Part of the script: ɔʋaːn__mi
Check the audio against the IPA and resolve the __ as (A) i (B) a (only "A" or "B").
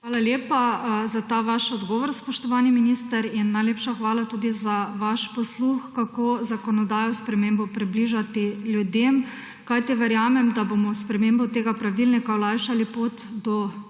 A